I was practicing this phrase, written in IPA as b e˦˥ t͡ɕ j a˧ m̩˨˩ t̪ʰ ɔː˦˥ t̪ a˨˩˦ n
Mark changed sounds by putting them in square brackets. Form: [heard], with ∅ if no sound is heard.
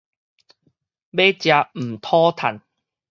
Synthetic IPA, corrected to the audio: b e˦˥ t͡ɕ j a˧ m̩˨˩ t̪ʰ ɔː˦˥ [t̪ʰ] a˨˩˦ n